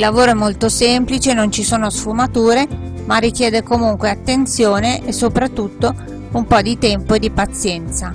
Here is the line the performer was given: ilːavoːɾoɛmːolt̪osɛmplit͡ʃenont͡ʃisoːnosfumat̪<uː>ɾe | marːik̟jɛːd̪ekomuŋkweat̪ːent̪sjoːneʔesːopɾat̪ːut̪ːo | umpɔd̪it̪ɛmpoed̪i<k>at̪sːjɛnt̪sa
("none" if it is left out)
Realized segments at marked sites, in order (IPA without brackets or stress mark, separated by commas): uː, p